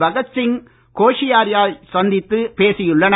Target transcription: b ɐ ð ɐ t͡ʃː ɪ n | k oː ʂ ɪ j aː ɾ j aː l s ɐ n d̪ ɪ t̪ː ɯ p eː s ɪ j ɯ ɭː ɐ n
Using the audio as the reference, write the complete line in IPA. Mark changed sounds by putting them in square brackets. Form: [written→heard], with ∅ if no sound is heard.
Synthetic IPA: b ɐ [ð→ɣ] ɐ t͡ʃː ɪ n | k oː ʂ ɪ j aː ɾ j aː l s ɐ n d̪ ɪ t̪ː ɯ p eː s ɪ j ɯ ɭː ɐ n